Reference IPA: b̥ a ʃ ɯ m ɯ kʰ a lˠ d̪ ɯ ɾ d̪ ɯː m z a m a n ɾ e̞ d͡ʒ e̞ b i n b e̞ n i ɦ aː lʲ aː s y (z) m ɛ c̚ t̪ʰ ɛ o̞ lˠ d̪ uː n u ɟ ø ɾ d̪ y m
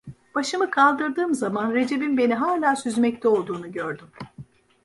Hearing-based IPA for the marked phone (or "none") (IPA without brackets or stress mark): z